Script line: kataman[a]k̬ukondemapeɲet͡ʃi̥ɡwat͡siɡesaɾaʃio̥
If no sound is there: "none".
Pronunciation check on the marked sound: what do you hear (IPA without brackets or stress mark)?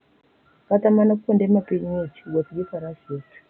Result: a